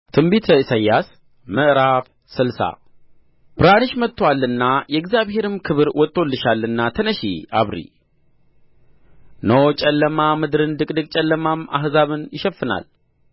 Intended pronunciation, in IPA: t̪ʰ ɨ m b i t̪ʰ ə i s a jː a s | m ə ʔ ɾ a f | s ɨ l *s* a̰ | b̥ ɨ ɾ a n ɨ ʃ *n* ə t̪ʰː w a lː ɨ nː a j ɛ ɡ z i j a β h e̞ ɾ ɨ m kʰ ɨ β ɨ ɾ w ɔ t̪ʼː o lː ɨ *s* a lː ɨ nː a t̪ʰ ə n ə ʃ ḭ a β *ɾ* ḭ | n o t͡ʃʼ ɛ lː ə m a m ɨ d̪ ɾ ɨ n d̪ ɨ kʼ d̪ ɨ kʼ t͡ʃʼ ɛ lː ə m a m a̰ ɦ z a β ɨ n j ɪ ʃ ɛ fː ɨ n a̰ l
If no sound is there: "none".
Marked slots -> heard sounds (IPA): s, m, ʃ, ɾ

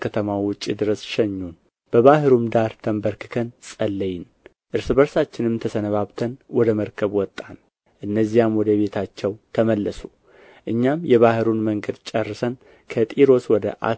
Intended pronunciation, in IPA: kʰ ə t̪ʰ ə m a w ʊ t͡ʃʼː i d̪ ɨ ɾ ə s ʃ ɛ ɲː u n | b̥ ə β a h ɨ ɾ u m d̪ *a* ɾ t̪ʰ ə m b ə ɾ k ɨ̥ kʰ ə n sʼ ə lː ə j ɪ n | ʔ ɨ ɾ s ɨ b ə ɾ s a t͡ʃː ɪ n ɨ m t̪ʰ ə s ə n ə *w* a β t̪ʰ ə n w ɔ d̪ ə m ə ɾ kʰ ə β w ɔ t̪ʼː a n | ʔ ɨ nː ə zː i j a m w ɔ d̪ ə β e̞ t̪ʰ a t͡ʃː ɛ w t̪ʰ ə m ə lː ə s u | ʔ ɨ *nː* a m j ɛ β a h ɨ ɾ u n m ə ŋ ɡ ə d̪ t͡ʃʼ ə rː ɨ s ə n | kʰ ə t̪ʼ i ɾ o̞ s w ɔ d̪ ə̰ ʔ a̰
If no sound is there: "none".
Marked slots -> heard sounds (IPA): a, β, ɲː

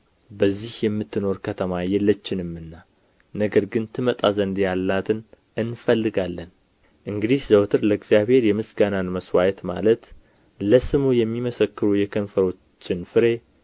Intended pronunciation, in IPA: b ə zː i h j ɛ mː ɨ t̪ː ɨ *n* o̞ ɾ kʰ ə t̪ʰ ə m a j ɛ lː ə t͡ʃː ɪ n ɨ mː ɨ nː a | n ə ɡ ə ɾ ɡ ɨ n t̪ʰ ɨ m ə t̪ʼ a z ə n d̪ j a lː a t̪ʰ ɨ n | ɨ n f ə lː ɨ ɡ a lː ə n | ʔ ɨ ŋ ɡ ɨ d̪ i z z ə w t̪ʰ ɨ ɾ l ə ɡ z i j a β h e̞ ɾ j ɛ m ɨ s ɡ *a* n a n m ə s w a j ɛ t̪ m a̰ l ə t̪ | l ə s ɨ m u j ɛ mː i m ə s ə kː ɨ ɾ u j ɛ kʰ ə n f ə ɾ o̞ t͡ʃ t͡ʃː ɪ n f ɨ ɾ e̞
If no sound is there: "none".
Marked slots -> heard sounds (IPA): n, a

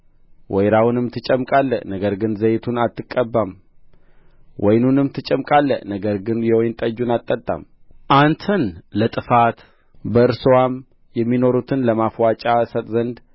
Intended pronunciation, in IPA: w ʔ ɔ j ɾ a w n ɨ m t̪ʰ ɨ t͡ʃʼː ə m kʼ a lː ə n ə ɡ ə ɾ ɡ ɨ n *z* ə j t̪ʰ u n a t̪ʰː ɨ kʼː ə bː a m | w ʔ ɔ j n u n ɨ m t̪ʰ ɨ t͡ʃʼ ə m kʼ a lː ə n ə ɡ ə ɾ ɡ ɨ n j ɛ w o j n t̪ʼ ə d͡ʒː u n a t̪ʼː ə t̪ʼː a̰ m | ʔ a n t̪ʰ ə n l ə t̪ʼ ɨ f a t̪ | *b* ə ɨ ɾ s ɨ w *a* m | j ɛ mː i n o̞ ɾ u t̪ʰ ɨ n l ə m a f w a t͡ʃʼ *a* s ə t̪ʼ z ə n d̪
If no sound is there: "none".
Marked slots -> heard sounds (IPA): z, b, a, a

